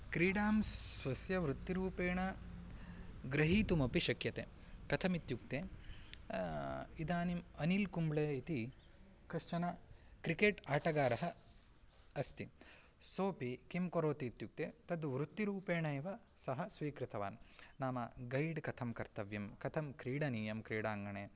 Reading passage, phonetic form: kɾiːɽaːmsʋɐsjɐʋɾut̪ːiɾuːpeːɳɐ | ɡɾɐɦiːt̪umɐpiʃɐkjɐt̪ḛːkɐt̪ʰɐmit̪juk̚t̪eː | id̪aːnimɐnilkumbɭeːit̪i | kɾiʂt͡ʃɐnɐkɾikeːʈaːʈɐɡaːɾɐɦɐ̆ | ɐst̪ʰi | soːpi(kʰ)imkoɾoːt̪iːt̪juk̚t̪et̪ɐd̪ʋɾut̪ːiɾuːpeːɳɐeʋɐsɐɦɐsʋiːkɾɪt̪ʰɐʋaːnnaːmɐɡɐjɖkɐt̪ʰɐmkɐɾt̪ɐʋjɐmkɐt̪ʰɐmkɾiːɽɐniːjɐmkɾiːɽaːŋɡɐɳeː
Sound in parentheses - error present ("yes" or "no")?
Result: yes